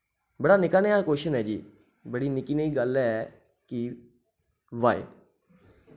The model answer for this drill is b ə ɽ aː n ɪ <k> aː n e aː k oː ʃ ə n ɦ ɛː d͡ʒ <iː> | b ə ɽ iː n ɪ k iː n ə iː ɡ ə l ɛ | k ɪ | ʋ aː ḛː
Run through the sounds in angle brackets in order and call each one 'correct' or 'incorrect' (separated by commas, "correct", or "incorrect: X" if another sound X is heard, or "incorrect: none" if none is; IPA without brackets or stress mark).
correct, correct